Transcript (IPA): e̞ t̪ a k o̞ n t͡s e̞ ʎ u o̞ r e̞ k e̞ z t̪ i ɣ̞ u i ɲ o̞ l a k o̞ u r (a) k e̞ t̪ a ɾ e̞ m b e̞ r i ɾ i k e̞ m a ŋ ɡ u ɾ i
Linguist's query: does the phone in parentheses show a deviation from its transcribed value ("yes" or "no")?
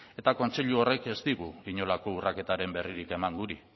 no